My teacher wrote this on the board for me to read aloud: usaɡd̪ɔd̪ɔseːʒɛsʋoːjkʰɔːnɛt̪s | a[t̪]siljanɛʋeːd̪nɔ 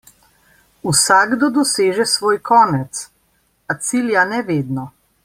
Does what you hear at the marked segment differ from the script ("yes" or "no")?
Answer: no